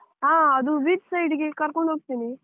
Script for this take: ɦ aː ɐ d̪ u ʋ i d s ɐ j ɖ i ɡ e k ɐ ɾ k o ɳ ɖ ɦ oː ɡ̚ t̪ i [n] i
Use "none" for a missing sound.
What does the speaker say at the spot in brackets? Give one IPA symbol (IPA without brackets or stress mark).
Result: n